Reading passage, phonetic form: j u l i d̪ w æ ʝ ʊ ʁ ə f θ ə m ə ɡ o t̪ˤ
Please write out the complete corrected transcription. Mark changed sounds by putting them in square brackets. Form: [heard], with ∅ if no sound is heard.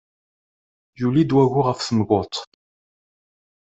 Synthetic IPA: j u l i d̪ w æ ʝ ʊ ʁ ə f θ ə m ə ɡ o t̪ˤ

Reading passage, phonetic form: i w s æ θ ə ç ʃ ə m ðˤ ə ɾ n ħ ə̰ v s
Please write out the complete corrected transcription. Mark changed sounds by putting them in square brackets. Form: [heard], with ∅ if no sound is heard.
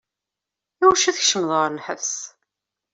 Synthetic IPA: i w [ʃ] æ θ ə ç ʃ ə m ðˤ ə ɾ n ħ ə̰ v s

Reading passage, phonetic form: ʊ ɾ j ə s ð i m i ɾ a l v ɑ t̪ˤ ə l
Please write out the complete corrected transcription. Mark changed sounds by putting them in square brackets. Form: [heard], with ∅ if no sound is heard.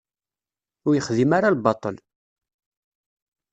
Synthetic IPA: ʊ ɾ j ə [χ] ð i m [a] ɾ a l [b] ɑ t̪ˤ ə l

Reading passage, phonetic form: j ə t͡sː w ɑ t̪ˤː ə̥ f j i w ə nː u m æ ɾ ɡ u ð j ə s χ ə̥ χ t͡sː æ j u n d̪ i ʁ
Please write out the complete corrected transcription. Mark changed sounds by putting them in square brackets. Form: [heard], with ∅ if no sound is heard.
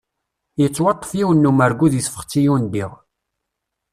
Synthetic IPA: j ə t͡sː w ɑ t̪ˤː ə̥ f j i w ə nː u m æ ɾ ɡ u ð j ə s [f] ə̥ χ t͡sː [i] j u n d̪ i ʁ

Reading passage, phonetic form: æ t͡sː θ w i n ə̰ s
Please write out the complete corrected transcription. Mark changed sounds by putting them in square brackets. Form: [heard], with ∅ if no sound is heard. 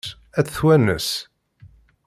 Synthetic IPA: æ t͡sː θ w [æ] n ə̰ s

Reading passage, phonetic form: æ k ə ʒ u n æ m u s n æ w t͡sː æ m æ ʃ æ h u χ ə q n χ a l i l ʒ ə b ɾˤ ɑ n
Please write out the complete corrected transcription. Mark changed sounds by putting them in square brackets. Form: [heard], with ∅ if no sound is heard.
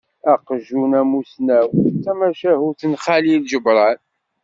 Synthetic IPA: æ [q] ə ʒ u n æ m u s n æ w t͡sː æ m æ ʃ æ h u [θ] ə [∅] n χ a l i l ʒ ə b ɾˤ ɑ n

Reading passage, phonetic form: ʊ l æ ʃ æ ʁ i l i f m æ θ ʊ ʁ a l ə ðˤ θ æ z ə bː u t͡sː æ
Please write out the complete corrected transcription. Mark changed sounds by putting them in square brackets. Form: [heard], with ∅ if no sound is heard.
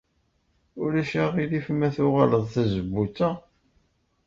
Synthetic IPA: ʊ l æ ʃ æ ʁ i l i f m æ θ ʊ ʁ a l ə ðˤ θ æ z ə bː u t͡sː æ

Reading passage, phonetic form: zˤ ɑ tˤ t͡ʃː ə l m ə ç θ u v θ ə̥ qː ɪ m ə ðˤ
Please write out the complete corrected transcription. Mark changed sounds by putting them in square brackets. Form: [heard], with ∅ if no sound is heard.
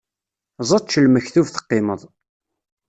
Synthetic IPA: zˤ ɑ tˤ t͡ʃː ə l m ə ç θ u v θ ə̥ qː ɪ m ə ðˤ

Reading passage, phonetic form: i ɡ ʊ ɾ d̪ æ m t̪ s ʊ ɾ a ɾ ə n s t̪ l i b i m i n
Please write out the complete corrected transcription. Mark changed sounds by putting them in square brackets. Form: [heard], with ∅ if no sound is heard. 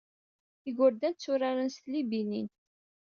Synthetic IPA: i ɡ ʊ ɾ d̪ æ [n] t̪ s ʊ ɾ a ɾ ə n s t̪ l i b i [n] i n

